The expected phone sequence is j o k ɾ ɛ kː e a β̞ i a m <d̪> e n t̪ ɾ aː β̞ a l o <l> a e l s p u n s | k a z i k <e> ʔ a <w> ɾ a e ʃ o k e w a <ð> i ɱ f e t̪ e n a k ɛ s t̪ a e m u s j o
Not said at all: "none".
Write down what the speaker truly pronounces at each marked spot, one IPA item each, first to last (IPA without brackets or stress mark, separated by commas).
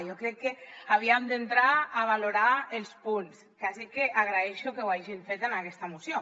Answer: d̪, ɾ, e, ɣ, ʒ